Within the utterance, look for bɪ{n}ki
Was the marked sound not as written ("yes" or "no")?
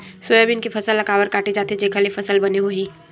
no